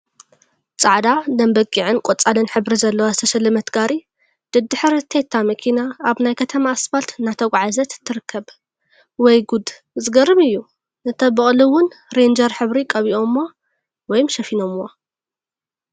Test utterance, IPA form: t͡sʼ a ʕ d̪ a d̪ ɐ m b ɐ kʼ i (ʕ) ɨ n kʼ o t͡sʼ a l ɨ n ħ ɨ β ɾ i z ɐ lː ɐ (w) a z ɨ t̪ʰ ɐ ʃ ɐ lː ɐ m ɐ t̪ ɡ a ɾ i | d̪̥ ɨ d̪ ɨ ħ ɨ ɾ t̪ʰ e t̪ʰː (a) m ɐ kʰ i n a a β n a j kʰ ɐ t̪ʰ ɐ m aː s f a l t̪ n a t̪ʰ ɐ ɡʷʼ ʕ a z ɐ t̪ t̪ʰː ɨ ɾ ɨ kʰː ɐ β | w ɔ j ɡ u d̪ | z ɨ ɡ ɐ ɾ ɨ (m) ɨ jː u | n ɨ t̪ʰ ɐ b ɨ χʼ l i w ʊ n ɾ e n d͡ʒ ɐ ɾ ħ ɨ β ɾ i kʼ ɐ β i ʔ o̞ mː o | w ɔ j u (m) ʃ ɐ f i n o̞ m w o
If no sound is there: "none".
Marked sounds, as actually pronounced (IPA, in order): ʕ, w, a, m, m

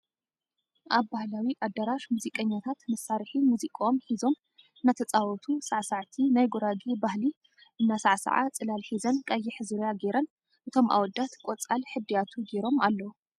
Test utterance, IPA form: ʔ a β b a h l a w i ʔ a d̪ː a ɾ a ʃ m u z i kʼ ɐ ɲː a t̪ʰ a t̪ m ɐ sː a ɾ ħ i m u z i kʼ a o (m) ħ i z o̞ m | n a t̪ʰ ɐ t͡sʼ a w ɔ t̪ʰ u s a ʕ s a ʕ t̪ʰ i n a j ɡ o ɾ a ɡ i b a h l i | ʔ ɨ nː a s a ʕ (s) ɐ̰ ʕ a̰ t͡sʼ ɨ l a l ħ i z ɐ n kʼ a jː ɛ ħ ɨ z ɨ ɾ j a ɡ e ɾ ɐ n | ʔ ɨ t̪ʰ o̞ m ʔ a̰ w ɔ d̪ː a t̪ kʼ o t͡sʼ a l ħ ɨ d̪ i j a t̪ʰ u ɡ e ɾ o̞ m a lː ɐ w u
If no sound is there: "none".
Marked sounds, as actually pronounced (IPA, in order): m, s

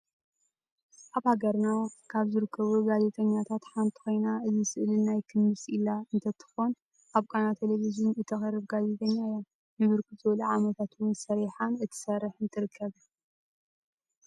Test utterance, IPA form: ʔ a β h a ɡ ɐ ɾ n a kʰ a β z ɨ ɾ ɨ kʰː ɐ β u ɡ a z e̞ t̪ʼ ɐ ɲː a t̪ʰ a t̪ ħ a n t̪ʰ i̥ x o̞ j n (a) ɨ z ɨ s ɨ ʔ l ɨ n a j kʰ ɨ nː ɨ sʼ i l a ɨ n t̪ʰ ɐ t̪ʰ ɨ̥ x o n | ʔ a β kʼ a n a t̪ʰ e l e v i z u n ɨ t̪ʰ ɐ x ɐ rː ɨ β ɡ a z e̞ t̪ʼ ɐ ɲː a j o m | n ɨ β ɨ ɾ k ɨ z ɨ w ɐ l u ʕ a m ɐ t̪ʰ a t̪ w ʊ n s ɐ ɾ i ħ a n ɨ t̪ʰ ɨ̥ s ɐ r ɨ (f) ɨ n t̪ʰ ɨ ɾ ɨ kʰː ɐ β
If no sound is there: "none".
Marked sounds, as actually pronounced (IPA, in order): a, ħ

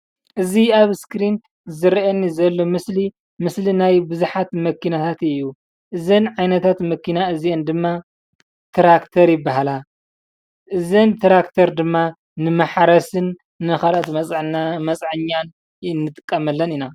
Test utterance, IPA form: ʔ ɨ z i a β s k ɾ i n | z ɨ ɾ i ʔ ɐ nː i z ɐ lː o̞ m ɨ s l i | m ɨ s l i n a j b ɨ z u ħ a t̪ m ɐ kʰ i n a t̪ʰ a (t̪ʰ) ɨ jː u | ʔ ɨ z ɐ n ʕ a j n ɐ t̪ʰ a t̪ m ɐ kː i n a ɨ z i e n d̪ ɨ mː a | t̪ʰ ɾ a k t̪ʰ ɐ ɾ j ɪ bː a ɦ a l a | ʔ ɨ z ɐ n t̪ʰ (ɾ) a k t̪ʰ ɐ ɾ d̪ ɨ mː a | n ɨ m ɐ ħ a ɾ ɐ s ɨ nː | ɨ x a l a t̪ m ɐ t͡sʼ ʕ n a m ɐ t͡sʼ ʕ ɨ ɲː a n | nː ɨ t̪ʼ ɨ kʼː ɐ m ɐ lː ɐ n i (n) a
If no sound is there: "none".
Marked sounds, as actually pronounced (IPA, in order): t̪, ɾ, n

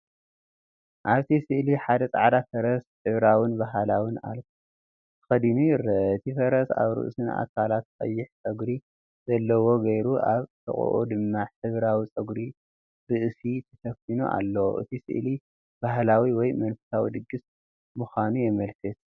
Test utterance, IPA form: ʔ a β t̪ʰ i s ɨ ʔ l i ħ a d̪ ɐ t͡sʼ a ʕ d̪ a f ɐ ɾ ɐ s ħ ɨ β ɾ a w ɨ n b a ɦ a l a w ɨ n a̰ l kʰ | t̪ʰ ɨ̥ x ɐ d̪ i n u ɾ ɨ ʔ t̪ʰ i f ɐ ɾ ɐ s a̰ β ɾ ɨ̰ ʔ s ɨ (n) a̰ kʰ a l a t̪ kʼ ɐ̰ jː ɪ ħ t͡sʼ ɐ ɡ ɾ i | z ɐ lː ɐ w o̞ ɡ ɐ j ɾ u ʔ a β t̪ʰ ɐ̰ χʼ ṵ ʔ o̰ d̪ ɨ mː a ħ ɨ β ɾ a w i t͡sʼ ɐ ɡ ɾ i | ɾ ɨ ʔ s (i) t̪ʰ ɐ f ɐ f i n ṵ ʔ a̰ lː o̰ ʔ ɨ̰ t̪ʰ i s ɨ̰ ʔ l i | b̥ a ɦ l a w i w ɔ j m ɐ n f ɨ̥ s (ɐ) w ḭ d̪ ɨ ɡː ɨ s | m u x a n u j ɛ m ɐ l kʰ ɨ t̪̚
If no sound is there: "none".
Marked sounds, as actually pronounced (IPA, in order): n, i, a

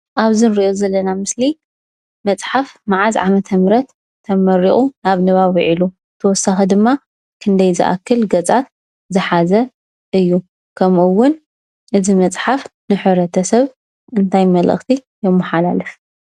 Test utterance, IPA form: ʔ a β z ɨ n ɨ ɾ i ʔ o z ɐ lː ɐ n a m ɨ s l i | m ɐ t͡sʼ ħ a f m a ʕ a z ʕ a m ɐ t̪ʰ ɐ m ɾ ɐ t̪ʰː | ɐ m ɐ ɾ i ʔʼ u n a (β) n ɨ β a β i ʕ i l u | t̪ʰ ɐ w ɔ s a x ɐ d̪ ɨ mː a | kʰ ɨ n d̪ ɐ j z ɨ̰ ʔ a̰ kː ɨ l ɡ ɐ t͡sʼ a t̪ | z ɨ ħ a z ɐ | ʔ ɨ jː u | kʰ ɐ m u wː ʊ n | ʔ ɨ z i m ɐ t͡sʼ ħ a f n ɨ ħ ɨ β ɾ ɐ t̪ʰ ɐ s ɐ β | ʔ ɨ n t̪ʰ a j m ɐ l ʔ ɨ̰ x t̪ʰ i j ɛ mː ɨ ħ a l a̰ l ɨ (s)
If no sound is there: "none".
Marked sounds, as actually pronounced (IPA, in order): β, f

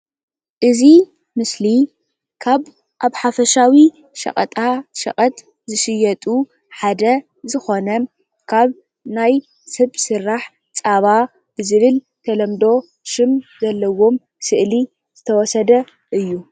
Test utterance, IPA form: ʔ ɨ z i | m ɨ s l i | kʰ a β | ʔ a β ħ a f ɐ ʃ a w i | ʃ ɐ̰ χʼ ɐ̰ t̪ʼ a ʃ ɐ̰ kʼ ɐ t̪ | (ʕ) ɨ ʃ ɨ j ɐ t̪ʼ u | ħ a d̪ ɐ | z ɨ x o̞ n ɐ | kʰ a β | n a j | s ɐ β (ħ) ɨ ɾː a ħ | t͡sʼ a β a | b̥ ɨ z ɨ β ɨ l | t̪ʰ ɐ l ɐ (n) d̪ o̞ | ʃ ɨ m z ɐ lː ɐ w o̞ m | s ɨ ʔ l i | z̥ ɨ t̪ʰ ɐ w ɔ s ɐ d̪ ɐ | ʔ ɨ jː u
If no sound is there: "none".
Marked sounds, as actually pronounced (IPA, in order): z, s, m

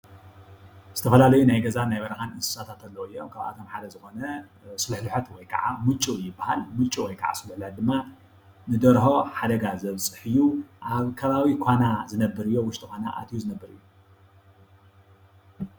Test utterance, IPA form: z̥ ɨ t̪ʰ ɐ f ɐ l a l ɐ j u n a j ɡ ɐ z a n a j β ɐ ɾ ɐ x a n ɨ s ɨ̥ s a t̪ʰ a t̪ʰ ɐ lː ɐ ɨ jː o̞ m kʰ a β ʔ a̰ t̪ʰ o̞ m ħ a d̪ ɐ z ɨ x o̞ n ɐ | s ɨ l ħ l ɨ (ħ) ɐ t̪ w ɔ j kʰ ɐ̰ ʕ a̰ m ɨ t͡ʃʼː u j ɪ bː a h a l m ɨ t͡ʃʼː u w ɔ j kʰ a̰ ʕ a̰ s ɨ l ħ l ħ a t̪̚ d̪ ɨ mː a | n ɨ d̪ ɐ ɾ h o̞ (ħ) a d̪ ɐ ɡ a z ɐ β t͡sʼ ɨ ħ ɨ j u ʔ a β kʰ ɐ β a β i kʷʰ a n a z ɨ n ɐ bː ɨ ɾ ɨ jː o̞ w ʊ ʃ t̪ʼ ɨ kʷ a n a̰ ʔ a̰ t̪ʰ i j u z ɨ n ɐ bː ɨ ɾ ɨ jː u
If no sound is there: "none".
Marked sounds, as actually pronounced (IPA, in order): ħ, ħ

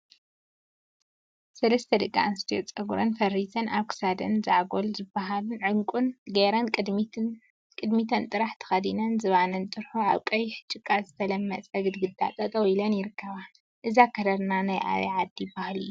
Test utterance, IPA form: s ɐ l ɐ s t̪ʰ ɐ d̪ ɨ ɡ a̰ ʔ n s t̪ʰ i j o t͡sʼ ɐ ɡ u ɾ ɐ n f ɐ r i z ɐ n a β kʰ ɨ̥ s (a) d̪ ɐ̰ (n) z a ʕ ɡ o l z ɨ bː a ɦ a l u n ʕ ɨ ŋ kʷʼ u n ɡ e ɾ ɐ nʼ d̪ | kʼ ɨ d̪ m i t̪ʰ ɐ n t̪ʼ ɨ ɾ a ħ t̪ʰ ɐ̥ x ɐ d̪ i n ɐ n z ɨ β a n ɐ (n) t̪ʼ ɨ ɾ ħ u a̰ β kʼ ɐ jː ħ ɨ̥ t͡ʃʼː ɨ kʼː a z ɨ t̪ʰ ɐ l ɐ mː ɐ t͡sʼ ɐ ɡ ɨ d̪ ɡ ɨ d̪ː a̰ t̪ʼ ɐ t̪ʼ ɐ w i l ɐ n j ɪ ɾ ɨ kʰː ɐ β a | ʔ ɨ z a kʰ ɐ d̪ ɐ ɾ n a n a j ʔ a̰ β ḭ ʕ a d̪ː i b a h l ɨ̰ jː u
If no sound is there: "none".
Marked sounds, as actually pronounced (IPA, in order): a, n, n

